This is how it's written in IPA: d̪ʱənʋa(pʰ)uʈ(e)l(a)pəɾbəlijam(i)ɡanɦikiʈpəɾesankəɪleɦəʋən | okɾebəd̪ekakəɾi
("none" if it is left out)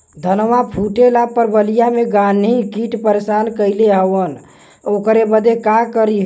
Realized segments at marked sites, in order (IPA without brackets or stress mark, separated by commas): pʰ, e, a, e